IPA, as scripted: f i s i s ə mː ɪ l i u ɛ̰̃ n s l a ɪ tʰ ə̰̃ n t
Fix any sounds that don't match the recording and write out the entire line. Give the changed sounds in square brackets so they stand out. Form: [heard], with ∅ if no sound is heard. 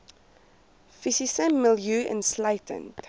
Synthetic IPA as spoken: f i s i s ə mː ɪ l [j] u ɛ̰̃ n s l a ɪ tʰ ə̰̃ n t